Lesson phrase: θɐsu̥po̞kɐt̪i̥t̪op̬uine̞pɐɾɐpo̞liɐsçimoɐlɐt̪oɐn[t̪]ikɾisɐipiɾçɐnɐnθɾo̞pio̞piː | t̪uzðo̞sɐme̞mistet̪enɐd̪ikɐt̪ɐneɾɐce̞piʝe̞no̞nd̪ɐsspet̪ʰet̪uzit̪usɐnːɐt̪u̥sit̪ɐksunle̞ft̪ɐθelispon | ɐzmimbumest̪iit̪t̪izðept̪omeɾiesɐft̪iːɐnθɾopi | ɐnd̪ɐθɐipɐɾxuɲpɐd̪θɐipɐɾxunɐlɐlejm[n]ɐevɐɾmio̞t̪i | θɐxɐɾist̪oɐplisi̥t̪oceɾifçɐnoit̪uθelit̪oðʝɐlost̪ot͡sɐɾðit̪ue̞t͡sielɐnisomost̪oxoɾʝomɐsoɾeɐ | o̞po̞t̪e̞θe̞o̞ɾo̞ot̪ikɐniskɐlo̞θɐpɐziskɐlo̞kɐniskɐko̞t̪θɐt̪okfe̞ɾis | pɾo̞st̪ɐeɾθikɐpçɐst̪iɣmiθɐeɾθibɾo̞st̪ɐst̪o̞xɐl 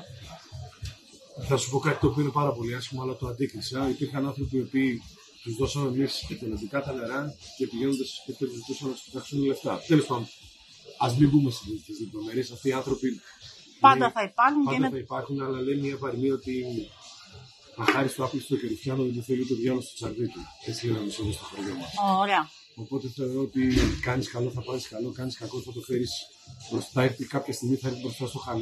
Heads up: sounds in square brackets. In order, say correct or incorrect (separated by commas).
incorrect, incorrect